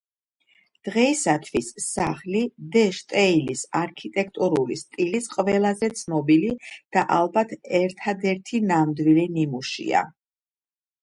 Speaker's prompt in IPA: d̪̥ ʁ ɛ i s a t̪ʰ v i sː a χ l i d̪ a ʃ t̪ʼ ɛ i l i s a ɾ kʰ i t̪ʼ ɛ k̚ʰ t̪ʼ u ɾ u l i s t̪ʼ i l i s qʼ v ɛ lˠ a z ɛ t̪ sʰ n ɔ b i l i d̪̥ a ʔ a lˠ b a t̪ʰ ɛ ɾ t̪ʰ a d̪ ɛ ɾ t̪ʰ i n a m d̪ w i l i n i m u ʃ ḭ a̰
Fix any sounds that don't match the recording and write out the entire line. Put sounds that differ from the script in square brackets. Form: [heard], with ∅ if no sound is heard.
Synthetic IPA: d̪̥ ʁ ɛ i s a t̪ʰ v i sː a χ l i d̪ [ɛ] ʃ t̪ʼ ɛ i l i s a ɾ kʰ i t̪ʼ ɛ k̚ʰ t̪ʼ u ɾ u l i s t̪ʼ i l i s qʼ v ɛ lˠ a z ɛ t̪ sʰ n ɔ b i l i d̪̥ a ʔ a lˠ b a t̪ʰ ɛ ɾ t̪ʰ a d̪ ɛ ɾ t̪ʰ i n a m d̪ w i l i n i m u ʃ ḭ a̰